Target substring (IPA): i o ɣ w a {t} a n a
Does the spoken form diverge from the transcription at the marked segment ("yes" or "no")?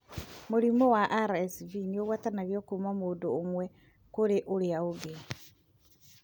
no